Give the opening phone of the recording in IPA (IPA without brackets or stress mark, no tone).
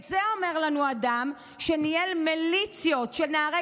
z